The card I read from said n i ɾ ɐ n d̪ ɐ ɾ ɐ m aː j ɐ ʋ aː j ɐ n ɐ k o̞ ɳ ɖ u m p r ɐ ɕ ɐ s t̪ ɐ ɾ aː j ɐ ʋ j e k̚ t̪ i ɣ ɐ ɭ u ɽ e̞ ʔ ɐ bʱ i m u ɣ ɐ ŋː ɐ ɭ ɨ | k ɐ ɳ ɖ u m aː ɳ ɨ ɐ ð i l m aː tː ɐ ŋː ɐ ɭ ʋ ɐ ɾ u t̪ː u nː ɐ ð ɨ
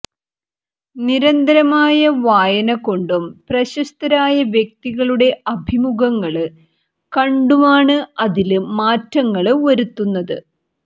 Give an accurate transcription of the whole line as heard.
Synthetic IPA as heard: n i ɾ ɐ n d̪ ɐ ɾ ɐ m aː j ɐ ʋ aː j ɐ n ɐ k o̞ ɳ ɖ u m p r ɐ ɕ ɐ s t̪ ɐ ɾ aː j ɐ ʋ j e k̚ t̪ i ɣ ɐ ɭ u ɽ e̞ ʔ ɐ bʱ i m u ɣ ɐ ŋː ɐ ɭ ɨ | k ɐ ɳ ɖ u m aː ɳ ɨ ɐ ð i l m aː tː ɐ ŋː ɐ ɭ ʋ ɐ ɾ u t̪ː u nː ɐ ð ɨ